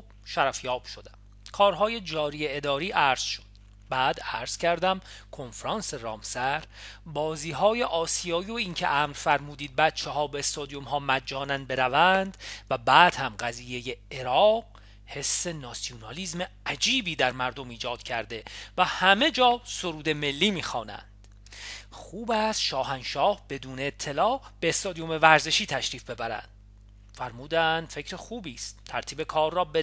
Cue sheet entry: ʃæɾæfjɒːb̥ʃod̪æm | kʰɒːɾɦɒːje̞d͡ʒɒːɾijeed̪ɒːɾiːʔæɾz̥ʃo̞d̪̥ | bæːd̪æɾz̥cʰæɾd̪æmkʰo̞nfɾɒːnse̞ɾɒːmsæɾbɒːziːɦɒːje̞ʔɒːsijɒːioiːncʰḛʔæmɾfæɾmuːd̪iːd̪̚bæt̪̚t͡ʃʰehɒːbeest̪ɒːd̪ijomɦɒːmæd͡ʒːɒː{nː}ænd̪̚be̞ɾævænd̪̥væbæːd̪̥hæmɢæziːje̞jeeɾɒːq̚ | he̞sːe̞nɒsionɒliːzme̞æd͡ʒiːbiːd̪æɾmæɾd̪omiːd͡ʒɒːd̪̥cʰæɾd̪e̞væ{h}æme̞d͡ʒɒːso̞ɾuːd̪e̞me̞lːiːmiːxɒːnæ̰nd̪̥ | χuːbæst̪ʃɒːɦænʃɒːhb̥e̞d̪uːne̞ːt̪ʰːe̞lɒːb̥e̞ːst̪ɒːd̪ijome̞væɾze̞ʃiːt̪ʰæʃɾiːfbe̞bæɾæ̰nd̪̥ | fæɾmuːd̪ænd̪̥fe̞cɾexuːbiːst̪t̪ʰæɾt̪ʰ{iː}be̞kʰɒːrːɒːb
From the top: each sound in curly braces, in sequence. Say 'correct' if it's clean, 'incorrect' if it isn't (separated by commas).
incorrect, correct, correct